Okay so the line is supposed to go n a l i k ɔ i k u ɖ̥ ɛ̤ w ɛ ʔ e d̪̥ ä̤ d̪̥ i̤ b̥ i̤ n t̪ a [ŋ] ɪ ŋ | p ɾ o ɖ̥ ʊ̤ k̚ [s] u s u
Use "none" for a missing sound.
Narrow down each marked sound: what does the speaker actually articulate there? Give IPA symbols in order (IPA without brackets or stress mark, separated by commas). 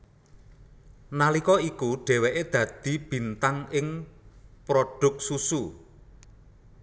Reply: ŋ, s